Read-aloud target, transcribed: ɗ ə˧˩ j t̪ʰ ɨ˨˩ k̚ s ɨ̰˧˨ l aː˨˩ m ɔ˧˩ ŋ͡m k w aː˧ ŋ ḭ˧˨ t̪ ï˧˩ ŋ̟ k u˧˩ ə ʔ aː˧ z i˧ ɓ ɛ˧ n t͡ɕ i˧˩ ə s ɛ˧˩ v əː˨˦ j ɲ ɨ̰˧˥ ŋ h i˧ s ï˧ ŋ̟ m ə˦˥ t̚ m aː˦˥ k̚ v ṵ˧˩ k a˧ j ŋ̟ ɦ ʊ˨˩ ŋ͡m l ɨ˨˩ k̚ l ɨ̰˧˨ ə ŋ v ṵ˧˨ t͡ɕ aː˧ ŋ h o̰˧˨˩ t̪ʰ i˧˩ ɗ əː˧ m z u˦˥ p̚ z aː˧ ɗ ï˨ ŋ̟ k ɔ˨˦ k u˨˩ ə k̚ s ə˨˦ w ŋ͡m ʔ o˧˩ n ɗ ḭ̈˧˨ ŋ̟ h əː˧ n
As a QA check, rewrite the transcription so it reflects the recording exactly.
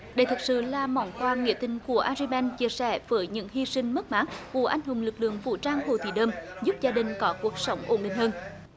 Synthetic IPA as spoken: ɗ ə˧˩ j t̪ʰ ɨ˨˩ k̚ s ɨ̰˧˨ l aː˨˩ m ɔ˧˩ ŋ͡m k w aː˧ ŋ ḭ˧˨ t̪ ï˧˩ ŋ̟ k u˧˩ ə ʔ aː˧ z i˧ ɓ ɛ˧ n t͡ɕ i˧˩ ə s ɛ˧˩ v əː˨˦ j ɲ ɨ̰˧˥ ŋ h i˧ s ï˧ ŋ̟ m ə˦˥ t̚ m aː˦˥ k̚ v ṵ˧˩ ʔ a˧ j ŋ̟ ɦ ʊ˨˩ ŋ͡m l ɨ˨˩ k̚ l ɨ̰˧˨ ə ŋ v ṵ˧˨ t͡ɕ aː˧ ŋ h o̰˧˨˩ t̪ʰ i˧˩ ɗ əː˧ m z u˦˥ p̚ z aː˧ ɗ ï˨ ŋ̟ k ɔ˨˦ k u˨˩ ə k̚ s ə˨˦ w ŋ͡m ʔ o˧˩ n ɗ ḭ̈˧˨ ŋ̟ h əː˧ n